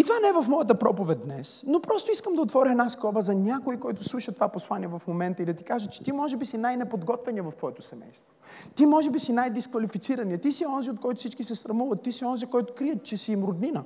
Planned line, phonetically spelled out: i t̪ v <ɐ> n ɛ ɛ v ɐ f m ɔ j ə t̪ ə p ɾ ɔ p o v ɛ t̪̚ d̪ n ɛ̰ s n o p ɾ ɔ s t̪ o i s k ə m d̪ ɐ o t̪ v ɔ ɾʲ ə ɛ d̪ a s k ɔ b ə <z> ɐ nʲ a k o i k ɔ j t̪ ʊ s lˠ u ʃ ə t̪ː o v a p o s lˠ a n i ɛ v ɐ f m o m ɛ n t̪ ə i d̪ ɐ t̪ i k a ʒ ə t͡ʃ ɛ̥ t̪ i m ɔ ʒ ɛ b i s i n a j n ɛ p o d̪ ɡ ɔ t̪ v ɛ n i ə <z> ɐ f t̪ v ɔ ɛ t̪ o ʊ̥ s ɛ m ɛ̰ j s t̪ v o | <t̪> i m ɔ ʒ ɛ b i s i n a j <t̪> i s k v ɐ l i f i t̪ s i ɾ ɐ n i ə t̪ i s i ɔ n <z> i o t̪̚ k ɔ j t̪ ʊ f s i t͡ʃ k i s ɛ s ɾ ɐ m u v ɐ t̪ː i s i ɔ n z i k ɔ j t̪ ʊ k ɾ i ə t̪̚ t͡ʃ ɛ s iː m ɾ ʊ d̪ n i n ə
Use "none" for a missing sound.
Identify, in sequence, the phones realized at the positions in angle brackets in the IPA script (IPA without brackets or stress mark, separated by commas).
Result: a, z, v, t̪, d̪, z